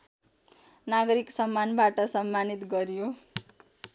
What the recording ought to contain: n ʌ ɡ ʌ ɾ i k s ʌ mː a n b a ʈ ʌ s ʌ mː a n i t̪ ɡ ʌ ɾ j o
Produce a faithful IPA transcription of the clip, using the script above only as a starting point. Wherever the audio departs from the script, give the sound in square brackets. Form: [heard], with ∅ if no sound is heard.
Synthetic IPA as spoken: n [a] ɡ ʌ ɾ i k s ʌ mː a n b a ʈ ʌ s ʌ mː a n i t̪ ɡ ʌ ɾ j o